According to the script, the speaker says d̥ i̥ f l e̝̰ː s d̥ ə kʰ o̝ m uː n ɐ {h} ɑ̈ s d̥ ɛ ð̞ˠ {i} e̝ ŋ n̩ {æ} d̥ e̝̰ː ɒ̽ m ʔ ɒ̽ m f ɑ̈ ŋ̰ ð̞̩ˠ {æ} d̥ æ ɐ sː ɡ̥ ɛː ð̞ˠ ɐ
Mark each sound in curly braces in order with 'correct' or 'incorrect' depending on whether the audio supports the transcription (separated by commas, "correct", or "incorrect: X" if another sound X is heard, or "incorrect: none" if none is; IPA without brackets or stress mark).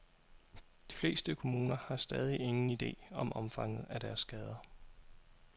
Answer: correct, correct, incorrect: i, correct